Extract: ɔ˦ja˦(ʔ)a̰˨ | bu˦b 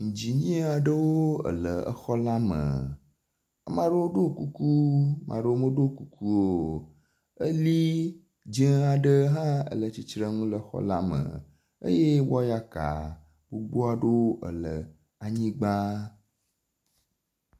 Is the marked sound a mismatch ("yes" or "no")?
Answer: yes